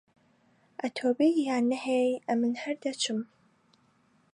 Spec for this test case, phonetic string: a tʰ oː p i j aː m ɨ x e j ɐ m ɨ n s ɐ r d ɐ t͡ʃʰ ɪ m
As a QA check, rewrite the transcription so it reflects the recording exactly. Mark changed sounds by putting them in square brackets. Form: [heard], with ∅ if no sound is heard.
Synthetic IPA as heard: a tʰ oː [b] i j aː [n] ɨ [ħ] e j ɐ m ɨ n [ħ] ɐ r d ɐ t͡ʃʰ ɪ m